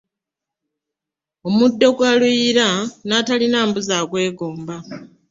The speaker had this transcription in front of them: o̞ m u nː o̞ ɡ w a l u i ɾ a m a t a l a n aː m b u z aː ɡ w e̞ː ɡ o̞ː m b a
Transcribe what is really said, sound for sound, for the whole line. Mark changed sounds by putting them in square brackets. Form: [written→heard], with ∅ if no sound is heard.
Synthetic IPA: o̞ m u [nː→dː] o̞ ɡ w a l u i ɾ a [m→n] a t a l [a→i] n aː m b u z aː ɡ w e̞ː ɡ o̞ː m b a